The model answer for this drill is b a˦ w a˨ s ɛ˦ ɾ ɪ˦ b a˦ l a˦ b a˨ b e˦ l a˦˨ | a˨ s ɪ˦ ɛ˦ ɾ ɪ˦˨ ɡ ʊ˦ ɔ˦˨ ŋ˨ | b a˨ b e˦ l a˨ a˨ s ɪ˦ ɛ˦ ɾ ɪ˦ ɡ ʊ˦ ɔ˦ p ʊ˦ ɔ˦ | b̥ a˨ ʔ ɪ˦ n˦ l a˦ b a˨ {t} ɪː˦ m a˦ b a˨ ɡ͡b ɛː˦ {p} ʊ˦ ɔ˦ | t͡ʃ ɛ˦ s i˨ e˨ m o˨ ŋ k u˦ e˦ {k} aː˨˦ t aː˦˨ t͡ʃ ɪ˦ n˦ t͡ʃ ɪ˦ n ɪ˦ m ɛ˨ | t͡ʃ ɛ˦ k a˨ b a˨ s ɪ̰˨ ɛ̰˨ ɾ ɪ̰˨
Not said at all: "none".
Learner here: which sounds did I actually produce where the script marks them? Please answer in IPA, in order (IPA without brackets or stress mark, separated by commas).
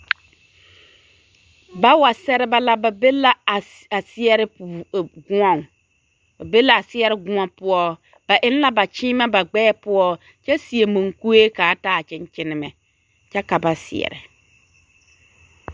t͡ʃ, p, k